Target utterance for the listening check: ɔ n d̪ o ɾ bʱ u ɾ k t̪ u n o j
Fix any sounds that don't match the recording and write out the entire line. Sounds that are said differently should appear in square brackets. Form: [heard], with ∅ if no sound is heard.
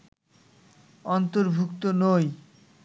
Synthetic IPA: ɔ n [t̪] o ɾ bʱ u [∅] k t̪ [o] n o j